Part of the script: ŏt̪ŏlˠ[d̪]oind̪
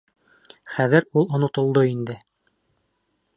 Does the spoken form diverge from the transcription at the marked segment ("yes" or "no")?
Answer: no